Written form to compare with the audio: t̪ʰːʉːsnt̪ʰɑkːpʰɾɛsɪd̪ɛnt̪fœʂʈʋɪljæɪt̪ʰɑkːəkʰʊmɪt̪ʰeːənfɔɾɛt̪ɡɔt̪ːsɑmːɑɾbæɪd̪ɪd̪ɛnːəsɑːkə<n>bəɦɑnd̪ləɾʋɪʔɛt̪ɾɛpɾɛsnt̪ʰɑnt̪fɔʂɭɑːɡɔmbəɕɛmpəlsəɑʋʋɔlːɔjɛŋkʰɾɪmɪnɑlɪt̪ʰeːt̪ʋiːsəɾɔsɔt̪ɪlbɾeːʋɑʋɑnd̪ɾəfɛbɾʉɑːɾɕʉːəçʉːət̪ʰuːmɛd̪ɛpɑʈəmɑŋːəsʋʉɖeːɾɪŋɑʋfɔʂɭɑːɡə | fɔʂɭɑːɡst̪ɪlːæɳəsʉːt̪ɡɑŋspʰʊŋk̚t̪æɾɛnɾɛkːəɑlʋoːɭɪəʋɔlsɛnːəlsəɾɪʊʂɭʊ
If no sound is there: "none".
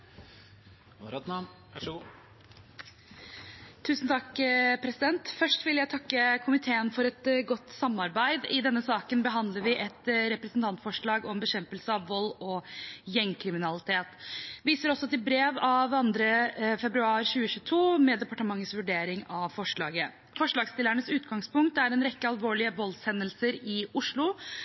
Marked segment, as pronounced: n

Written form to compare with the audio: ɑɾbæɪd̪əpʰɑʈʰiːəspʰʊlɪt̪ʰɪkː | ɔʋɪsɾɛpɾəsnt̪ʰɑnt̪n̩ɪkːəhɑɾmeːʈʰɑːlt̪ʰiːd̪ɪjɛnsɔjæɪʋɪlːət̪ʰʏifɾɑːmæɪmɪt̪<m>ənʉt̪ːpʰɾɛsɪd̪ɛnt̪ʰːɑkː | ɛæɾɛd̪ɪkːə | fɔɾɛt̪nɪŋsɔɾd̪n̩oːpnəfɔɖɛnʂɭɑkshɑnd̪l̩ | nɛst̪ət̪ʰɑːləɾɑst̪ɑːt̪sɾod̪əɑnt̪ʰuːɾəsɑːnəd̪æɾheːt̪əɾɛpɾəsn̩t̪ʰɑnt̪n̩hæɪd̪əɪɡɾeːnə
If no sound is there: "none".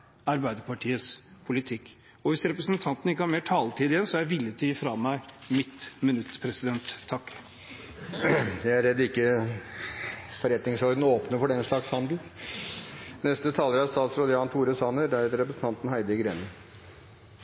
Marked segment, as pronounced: m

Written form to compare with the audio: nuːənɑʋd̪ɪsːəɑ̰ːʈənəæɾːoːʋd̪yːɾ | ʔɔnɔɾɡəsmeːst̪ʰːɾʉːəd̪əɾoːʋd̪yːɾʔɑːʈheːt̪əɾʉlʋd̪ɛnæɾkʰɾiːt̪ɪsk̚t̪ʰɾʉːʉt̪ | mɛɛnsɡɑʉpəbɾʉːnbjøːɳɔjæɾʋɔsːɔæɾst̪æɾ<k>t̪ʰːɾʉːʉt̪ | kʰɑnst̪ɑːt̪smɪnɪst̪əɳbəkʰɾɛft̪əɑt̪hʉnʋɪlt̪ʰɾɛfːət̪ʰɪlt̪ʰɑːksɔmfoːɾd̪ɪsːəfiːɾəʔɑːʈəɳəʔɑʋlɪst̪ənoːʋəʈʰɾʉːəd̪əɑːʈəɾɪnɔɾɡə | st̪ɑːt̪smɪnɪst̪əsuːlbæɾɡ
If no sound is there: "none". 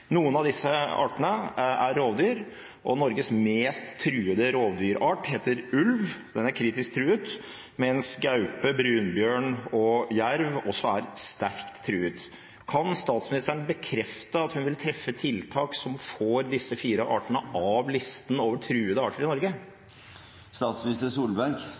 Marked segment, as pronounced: k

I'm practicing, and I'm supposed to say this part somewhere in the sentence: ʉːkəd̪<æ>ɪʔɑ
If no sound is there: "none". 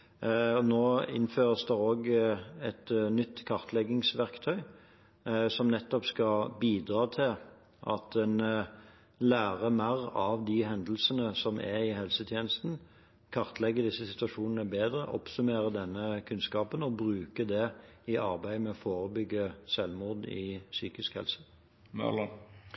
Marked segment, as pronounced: ɛ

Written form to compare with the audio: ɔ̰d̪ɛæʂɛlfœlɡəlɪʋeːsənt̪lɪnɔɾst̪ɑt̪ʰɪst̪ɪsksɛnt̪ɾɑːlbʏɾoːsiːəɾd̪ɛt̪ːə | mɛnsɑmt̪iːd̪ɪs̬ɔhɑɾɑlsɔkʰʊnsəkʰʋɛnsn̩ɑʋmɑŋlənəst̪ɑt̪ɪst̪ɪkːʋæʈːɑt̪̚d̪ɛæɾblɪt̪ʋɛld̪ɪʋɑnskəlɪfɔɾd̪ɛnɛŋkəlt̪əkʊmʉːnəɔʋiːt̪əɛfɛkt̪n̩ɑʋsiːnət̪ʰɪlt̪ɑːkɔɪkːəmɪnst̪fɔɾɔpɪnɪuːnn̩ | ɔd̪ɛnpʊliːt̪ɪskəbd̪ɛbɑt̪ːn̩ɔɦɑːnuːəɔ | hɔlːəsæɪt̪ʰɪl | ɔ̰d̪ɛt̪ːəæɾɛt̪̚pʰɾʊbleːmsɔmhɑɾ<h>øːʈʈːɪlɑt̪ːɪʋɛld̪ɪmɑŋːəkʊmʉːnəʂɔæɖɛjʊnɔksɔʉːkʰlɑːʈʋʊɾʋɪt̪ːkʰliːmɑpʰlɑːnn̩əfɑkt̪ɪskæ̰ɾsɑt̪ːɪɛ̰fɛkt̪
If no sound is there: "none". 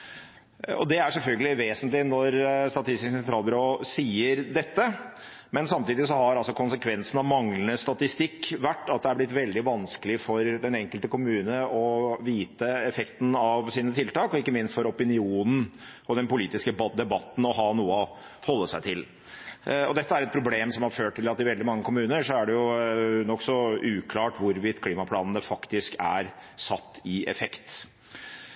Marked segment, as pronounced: f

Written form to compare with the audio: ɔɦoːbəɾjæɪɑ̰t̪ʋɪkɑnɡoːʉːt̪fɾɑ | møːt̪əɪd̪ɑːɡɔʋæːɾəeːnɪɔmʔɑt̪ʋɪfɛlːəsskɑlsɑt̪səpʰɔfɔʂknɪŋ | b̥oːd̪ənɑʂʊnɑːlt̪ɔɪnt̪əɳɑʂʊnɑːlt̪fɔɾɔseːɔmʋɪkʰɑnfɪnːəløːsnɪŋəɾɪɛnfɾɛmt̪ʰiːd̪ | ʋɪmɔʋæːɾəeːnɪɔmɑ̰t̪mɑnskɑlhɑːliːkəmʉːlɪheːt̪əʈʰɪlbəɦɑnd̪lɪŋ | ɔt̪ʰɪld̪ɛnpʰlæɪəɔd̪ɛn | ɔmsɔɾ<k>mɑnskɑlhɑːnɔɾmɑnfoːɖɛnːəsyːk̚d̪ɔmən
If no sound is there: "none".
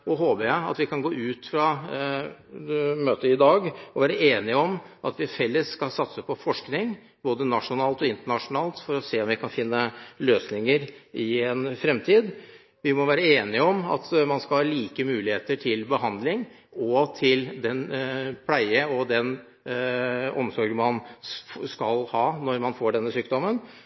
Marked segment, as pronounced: ɡ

